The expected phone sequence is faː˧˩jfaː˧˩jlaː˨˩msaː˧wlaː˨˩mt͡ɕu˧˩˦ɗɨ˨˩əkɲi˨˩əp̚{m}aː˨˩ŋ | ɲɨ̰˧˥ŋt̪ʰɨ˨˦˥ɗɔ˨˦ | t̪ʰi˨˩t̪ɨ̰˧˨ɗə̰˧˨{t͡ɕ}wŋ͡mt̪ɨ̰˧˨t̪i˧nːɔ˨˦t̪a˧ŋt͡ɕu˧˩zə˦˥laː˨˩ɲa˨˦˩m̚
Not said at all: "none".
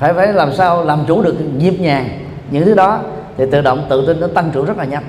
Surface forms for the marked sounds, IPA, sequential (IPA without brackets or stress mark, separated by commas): ɲ, none